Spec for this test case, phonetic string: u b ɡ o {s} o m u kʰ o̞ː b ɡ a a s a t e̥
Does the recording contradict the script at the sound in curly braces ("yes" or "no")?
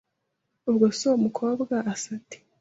no